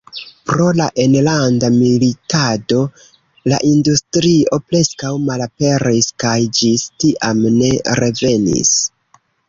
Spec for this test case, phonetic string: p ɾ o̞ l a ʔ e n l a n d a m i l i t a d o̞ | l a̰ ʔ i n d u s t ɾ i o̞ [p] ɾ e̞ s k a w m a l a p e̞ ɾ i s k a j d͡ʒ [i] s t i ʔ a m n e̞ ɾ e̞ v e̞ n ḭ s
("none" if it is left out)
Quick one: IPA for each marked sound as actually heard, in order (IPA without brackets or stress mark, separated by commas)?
p, i